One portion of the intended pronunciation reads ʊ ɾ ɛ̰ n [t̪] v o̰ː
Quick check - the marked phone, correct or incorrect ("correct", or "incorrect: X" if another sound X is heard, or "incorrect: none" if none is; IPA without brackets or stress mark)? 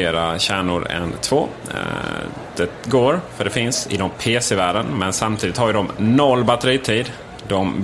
incorrect: t̪ʰ